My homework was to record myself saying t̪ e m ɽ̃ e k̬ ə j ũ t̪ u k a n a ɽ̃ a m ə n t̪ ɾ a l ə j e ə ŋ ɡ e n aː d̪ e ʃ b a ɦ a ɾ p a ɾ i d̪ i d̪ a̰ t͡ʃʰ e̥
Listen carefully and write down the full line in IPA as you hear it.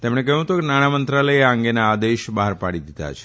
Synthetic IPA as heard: t̪ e m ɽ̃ e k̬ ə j ũ t̪ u k e n a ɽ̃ a m ə n t̪ ɾ a l ə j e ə ŋ ɡ e n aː d̪ e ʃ b a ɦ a ɾ p a ɽ i d̪ i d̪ a̰ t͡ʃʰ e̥

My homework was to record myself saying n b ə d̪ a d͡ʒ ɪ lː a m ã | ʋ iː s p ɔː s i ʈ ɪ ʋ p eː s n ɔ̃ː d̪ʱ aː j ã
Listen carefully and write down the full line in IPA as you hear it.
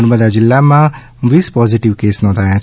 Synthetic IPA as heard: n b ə d̪ a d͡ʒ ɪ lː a m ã | ʋ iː s p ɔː z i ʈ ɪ ʋ k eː s n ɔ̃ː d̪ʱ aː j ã

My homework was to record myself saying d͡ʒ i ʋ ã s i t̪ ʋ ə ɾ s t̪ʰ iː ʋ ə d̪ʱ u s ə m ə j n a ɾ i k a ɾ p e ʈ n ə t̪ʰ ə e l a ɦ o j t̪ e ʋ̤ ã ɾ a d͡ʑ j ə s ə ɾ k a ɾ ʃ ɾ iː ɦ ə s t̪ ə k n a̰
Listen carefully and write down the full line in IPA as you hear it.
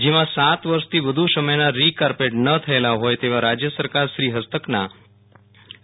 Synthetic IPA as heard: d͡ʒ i ʋ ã s a t̪ ʋ ə ɾ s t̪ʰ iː ʋ ə d̪ʱ u s ə m ə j n a ɾ i k a ɾ p e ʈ n ə t̪ʰ ə e l a ɦ o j t̪ e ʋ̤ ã ɾ a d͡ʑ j ə s ə ɾ k a ɾ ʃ ɾ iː ɦ ə s t̪ ə k n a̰

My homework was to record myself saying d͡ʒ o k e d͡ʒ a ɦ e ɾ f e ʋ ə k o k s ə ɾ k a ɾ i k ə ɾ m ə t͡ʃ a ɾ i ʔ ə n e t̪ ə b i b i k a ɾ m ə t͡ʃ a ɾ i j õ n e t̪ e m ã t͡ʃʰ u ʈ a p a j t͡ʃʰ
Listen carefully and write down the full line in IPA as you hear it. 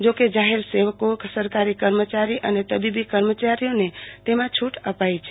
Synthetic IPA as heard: d͡ʒ o k e d͡ʒ a ɦ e ɾ s e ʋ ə k o k s ə ɾ k a ɾ i k ə ɾ m ə t͡ʃ a ɾ i ʔ ə n e t̪ ə b i b i k ə ɾ m ə t͡ʃ a ɾ i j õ n e t̪ e m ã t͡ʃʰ u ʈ ə p a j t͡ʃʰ

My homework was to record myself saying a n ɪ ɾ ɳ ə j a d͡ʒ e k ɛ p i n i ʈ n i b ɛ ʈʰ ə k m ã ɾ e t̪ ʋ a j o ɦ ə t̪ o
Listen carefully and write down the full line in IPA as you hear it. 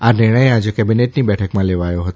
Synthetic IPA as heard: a n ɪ ɾ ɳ ə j a d͡ʒ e k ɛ b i n e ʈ n i b ɛ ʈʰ ə k m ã l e ʋ a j o ɦ ə t̪ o

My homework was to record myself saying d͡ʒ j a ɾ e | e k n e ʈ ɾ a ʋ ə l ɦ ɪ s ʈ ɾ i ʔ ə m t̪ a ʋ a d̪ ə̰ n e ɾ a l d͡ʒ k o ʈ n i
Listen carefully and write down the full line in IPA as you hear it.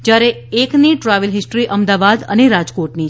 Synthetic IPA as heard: d͡ʒ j a ɾ e | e k n i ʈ ɾ a ʋ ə l ɦ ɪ s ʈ ɾ i ʔ ə m d̪ a ʋ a d̪ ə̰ n e ɾ a d͡ʒ k o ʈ n i

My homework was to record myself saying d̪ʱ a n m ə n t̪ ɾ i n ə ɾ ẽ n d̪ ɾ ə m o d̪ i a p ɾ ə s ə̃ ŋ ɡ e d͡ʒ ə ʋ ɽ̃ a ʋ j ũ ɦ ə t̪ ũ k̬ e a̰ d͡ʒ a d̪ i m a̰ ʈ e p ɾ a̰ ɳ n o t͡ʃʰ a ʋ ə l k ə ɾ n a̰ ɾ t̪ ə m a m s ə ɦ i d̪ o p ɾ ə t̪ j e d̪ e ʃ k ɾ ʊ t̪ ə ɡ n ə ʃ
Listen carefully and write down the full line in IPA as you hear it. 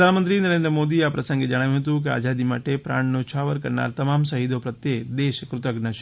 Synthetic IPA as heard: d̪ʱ a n m ə n t̪ ɾ i n ə ɾ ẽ n d̪ ɾ ə m o d̪ i a p ɾ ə s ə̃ ŋ ɡ e d͡ʒ ə ɽ̃ a ʋ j ũ ɦ ə t̪ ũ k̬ e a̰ d͡ʒ a d̪ i m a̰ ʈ e p ɾ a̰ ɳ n o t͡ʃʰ a ʋ ə ɾ k ə ɾ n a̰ ɾ t̪ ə m a m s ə ɦ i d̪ o p ɾ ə t̪ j e d̪ e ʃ k ɾ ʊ t̪ ə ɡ n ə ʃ

